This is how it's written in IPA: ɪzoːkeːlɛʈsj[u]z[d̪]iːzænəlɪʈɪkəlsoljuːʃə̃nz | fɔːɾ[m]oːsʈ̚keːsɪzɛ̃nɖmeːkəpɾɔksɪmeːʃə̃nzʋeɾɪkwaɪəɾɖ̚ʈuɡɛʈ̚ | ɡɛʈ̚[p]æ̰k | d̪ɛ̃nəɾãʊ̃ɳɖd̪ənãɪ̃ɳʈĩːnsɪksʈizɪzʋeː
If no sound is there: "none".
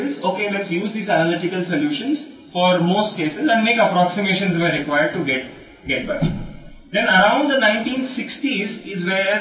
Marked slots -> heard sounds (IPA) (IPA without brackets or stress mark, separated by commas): uː, d̪, m, b